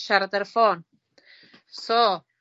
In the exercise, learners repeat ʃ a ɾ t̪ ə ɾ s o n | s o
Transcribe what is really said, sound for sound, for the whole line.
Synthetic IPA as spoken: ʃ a ɾ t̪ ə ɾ f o n | s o

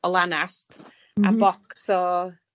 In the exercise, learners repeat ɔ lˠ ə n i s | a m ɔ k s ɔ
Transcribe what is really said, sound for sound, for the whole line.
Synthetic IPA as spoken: ɔ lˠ a n a s | a b ɔ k s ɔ

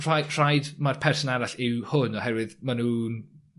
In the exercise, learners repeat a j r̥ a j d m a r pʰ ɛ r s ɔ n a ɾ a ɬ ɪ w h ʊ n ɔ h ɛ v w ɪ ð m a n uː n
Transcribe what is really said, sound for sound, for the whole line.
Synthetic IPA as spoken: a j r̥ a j d m a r pʰ ɛ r s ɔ n a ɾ a ɬ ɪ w h ʊ n ɔ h ɛ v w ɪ ð m a n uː n

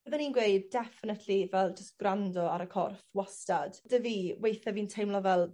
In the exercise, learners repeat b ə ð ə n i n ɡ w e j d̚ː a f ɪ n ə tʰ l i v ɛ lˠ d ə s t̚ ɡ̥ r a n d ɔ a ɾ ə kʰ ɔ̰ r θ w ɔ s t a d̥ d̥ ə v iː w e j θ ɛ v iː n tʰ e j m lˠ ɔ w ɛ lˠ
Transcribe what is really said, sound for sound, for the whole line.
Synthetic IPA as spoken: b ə ð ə n i n ɡ w e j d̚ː ɛ f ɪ n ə tʰ l i v ɛ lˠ d͡ʒ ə s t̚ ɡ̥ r a n d ɔ a ɾ ə kʰ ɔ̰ r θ w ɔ s t a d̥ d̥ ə v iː w e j θ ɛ v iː n tʰ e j m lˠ ɔ v ɛ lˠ

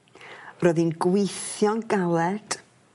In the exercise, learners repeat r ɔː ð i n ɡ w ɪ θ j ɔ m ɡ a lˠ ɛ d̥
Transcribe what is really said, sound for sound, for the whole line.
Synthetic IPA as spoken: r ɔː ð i n ɡ w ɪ θ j ɔ n ɡ a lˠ ɛ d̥

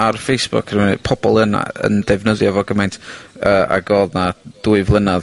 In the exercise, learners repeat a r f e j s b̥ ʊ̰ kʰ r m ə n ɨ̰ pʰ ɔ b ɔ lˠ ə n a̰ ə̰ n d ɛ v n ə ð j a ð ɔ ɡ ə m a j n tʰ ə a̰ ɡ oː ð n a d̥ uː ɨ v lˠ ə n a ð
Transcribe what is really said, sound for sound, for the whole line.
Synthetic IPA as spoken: a r f e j s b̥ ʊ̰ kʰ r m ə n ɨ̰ pʰ ɔ b ɔ lˠ ə n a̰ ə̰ n d ɛ v n ə ð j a v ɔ ɡ ə m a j n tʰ ə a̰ ɡ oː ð n a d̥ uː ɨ v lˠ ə n a ð

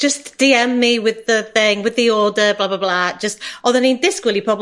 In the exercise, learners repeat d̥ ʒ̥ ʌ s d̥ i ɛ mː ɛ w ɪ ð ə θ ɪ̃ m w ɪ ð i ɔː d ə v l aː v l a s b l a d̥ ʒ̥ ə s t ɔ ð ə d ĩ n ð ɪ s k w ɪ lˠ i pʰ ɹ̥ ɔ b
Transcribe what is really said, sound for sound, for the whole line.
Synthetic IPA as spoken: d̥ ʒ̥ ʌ s d̥ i ɛ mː i w ɪ ð ə θ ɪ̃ ŋ w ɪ ð i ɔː d ə b l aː b l a b l a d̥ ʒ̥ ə s t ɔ ð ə n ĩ n ð ɪ s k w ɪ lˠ i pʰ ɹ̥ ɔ b

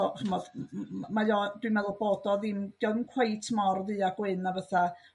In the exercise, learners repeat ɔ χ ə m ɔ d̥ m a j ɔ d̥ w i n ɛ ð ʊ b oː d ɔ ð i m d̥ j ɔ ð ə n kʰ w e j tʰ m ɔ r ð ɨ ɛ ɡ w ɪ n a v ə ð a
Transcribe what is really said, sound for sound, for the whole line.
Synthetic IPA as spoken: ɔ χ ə m ɔ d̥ m a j ɔ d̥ w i m ɛ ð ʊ b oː d ɔ ð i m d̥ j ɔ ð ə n kʰ w e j tʰ m ɔ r ð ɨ a ɡ w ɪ n a v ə θ a

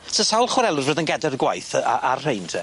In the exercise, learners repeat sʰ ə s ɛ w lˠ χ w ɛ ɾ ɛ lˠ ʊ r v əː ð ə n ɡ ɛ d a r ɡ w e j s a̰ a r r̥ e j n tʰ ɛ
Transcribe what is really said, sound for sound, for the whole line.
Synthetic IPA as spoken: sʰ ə s a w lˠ χ w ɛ ɾ ɛ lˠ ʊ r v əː ð ə n ɡ ɛ d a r ɡ w a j θ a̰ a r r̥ e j n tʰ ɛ

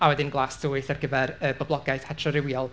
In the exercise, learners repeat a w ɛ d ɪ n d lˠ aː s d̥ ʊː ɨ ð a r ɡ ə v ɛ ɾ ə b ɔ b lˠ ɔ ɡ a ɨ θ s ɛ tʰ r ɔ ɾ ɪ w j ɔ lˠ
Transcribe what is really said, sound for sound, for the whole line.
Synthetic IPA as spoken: a w ɛ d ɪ n ɡ lˠ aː s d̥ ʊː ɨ θ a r ɡ ə v ɛ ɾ ə b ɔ b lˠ ɔ ɡ a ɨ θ h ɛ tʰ r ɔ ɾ ɪ w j ɔ lˠ

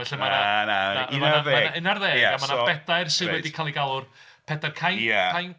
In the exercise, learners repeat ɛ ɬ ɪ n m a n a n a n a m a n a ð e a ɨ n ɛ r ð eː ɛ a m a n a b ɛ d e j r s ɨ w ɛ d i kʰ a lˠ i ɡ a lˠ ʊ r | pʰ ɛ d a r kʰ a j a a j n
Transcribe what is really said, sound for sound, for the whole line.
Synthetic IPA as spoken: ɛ ɬ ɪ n m a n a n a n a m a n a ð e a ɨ n a r ð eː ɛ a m a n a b ɛ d a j r s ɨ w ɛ d i kʰ a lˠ i ɡ a lˠ ʊ r | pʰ ɛ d a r kʰ a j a a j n

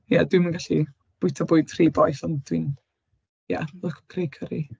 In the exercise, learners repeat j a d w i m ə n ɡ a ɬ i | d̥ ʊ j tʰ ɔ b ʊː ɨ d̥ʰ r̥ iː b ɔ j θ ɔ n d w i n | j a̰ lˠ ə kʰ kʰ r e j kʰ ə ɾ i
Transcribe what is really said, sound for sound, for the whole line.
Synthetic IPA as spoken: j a d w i m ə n ɡ a ɬ i | b̥ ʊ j tʰ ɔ b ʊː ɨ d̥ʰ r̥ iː b ɔ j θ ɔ n d w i n | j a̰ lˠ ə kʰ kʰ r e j kʰ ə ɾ i

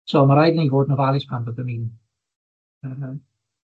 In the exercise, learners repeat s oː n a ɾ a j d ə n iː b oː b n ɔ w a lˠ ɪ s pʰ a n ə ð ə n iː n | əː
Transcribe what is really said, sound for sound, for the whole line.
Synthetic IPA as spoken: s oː m a ɾ a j d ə n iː v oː d n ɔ v a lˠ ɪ s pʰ a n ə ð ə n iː n | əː

